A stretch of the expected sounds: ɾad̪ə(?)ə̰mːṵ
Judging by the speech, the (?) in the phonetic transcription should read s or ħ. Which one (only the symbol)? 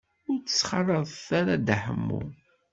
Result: ħ